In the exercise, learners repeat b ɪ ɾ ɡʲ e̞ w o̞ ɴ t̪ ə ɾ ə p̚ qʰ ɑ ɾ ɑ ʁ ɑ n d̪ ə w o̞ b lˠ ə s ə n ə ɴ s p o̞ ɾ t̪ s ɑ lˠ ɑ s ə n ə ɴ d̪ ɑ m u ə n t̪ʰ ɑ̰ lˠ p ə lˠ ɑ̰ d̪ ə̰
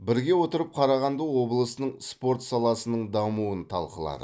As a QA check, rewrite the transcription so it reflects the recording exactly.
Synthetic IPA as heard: b ɪ ɾ ɡʲ e̞ w o̞ t̪ ə ɾ ə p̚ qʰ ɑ ɾ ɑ ʁ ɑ n d̪ ə w o̞ b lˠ ə s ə n ə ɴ s p o̞ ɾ t̪ s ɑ lˠ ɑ s ə n ə ɴ d̪ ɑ m u ə n t̪ʰ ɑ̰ lˠ q ə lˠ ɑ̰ d̪ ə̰